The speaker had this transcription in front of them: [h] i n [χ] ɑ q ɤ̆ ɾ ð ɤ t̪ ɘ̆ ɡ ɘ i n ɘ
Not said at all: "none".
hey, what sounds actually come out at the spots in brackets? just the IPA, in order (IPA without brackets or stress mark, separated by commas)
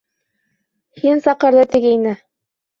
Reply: h, s